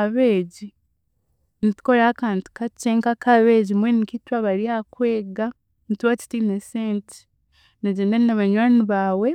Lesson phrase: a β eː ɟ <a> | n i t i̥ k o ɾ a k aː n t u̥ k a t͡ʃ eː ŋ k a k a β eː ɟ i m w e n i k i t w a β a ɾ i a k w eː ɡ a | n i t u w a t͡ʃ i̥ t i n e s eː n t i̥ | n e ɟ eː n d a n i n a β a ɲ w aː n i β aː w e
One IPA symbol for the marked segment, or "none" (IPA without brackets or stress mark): i